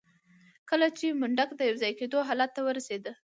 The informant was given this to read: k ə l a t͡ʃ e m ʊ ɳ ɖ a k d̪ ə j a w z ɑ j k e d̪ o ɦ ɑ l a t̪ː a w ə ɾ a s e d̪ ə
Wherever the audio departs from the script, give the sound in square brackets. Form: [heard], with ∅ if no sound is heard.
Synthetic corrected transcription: k ə l a t͡ʃ e m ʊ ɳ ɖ a k d̪ ə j a w z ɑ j k e d̪ o ɦ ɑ l a t̪ː a w ə ɾ a s e d̪ ə